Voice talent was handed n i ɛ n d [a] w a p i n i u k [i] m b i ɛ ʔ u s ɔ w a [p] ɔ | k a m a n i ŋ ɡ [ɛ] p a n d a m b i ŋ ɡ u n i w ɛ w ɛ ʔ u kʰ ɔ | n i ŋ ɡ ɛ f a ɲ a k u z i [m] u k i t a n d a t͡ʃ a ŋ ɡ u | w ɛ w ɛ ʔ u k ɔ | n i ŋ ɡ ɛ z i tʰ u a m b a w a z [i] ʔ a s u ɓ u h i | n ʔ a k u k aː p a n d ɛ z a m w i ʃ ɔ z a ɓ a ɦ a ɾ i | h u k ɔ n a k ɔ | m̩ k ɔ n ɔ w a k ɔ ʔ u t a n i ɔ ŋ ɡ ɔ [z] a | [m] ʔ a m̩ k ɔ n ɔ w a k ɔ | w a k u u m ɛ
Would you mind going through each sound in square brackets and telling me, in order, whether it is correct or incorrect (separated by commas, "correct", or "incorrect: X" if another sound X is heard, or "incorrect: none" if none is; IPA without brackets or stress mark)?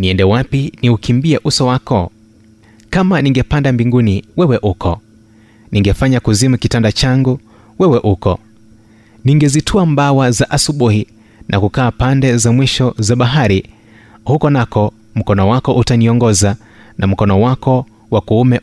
incorrect: ɛ, correct, incorrect: k, correct, correct, incorrect: a, correct, incorrect: n